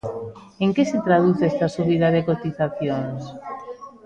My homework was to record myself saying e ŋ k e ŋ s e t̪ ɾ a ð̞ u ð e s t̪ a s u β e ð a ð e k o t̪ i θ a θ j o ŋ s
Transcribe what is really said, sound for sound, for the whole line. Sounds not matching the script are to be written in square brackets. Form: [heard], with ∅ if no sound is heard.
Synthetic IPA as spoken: e ŋ k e [∅] s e t̪ ɾ a ð̞ u [θ] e s t̪ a s u β [i] ð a ð e k o t̪ i θ a θ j o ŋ s